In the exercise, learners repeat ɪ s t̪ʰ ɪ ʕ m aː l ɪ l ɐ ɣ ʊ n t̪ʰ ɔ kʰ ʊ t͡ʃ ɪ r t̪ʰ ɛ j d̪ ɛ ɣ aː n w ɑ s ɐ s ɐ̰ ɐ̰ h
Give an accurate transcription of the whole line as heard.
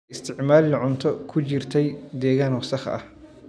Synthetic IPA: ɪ s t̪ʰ ɪ ʕ m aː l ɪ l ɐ ʕ ʊ n t̪ʰ ɔ kʰ ʊ t͡ʃ ɪ r t̪ʰ ɛ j d̪ ɛː ɣ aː n w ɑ s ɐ χ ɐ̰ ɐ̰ h

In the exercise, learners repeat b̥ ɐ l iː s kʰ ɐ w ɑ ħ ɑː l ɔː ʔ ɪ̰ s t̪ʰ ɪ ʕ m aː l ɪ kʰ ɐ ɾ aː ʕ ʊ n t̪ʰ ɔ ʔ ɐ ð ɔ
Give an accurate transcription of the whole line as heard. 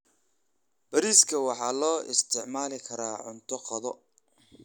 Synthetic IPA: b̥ ɐ ɾ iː s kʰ ɐ w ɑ ħ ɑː l ɔː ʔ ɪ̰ s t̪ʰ ɪ ʕ m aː l ɪ kʰ ɐ ɾ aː ʕ ʊ n t̪ʰ ɔ q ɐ ð ɔ

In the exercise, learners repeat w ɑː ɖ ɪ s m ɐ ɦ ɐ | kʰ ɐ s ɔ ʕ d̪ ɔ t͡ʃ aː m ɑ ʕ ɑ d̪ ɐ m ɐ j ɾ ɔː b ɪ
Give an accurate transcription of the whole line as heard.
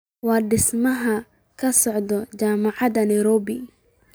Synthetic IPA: w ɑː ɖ ɪ s m ɐ ɦ ɐ | kʰ ɐ s ɔ ʕ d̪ ɔ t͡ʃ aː m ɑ ʕ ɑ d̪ ɐ n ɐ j ɾ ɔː b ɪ

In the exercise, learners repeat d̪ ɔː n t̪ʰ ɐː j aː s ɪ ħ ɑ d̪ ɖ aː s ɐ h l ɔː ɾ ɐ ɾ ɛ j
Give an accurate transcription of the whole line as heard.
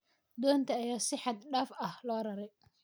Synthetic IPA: d̪ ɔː n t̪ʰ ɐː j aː s ɪ ħ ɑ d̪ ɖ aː f ɐ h l ɔː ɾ ɐ ɾ ɛ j

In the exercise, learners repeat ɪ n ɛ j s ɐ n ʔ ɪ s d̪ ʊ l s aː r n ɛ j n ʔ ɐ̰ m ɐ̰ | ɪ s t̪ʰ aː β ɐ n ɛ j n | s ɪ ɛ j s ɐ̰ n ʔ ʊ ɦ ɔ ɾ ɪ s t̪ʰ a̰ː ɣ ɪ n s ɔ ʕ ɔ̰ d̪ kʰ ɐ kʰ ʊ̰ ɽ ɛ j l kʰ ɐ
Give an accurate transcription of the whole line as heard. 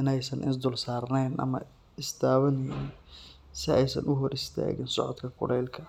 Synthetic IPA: ɪ n ɛ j s ɐ n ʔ ɪ s d̪ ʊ l s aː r n ɛ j n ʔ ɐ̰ m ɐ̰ | ɪ s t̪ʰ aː β ɐ n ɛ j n | s ɪ ɛ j s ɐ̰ n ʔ ʊ ɦ ɔ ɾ ɪ s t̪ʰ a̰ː ɣ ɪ n s ɔ ʕ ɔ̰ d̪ kʰ ɐ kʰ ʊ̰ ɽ ɛ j l kʰ ɐ

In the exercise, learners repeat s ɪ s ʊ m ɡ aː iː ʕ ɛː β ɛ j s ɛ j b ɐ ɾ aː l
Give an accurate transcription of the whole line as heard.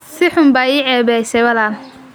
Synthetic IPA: s ɪ ħ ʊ m b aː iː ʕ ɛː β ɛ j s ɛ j w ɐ l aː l

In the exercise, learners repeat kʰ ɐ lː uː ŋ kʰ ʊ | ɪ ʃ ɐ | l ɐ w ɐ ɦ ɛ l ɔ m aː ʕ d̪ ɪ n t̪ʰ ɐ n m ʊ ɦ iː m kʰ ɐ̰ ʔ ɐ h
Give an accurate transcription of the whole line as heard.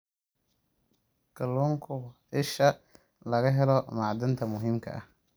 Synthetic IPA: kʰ ɐ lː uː ŋ kʰ ʊ | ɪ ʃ ɐ | l ɐ ɣ ɐ ɦ ɛ l ɔ m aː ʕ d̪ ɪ n t̪ʰ ɐ m ʊ ɦ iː m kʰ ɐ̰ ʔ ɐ h

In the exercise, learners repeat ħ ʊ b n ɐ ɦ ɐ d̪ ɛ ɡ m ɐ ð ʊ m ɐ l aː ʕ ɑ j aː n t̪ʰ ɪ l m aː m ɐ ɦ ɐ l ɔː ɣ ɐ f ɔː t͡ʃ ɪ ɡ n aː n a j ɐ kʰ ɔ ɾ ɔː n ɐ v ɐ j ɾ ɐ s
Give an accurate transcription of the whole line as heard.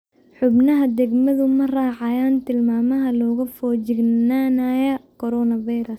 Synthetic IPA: ħ ʊ b n ɐ ɦ ɐ d̪ ɛ ɡ m ɐ ð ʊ m ɐ r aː ʕ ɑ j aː n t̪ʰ ɪ l m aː m ɐ ɦ ɐ l ɔː ɣ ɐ f ɔː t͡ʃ ɪ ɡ n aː n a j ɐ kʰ ɔ ɾ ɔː n ɐ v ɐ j ɾ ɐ s

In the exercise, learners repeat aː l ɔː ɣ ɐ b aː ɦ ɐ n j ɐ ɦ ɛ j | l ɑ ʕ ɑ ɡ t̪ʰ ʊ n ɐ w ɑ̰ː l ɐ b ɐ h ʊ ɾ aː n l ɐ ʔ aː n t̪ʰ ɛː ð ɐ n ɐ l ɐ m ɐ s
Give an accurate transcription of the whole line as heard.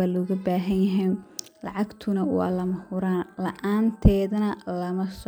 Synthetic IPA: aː l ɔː ɣ ɐ b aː ɦ ɐ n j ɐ ɦ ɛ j | l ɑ ʕ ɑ ɡ t̪ʰ ʊ n ɐ w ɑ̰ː l ɐ m ɐ h ʊ ɾ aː n l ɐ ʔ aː n t̪ʰ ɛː ð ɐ n ɐ l ɐ m ɐ s

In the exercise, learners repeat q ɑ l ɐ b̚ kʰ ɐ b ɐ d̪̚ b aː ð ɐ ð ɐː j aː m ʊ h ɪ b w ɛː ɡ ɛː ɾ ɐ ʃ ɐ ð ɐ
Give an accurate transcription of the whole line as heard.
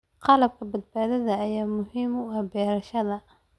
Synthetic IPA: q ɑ l ɐ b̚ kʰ ɐ b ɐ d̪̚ b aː ð ɐ ð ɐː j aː m ʊ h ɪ m w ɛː b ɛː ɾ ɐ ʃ ɐ ð ɐ

